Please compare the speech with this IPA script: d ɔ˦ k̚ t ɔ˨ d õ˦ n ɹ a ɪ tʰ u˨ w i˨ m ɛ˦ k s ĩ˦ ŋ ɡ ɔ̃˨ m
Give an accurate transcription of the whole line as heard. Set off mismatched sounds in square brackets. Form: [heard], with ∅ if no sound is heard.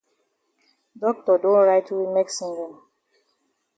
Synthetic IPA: d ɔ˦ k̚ t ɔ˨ d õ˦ n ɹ a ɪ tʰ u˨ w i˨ m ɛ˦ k s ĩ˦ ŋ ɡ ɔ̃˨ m